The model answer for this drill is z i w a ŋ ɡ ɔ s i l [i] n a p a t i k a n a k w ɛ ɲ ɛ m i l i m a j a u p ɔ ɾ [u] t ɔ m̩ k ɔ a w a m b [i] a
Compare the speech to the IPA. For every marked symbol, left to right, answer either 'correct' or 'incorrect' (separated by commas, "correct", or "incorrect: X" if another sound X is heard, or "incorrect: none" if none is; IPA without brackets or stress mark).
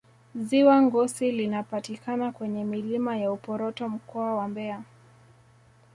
correct, incorrect: ɔ, incorrect: ɛ